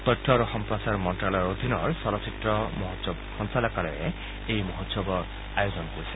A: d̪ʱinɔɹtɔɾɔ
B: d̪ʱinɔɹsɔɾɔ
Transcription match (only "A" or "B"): B